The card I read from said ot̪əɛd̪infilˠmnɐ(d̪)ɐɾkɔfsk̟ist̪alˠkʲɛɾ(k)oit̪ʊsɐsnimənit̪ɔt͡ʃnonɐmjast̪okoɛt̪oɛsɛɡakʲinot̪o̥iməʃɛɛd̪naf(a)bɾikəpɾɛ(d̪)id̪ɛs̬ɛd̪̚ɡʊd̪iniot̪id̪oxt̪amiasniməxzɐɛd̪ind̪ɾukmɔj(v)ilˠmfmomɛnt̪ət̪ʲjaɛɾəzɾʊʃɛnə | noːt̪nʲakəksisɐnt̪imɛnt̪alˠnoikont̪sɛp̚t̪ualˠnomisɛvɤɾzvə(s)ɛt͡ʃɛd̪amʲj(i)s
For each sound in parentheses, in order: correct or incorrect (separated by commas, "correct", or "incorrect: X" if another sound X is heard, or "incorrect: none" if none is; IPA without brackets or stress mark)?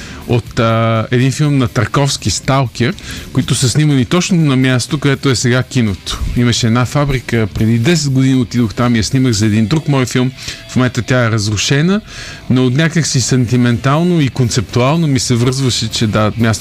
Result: incorrect: t̪, correct, correct, correct, incorrect: f, incorrect: ʃ, incorrect: a